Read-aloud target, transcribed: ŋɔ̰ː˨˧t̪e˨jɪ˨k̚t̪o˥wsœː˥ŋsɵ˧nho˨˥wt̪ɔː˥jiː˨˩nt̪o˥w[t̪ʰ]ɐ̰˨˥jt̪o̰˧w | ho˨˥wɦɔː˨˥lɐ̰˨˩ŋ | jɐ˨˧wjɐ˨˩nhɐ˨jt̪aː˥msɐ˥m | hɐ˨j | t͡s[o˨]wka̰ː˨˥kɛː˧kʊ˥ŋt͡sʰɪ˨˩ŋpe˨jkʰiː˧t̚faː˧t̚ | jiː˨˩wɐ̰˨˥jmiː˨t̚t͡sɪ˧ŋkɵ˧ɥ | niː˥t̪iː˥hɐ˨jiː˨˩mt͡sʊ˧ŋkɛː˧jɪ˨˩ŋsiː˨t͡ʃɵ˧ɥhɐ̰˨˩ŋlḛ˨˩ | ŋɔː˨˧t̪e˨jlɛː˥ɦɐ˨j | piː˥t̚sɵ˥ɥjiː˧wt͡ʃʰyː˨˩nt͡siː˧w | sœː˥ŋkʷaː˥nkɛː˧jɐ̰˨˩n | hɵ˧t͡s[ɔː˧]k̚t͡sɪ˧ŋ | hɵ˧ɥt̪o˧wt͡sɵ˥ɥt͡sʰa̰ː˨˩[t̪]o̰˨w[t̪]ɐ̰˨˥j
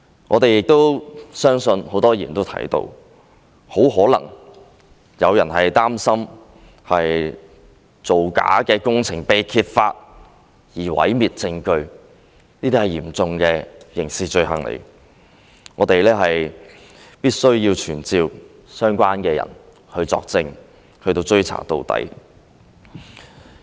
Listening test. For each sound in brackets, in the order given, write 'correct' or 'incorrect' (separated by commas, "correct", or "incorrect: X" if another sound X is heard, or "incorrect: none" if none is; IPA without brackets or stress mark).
correct, correct, correct, correct, correct